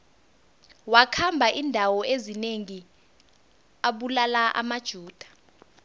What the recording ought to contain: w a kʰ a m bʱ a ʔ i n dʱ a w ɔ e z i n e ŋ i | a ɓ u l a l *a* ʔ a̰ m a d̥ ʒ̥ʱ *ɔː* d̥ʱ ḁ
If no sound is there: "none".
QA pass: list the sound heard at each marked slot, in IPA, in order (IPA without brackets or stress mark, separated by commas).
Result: a, uː